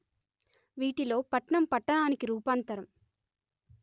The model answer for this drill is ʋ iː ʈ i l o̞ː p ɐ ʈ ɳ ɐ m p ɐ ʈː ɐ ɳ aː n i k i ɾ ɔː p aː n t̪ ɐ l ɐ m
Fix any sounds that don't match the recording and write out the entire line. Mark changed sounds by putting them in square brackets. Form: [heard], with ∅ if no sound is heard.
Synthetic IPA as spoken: ʋ iː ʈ i l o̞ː p ɐ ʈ ɳ ɐ m p ɐ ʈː ɐ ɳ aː n i k i ɾ [uː] p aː n t̪ ɐ [ɾ] ɐ m